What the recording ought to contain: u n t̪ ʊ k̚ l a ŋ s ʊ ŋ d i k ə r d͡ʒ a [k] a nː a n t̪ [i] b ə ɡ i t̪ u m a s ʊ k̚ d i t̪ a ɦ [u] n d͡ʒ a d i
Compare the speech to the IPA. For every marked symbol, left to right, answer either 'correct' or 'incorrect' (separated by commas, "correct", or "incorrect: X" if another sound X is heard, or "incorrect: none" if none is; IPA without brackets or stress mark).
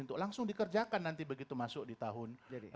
correct, correct, incorrect: ʊ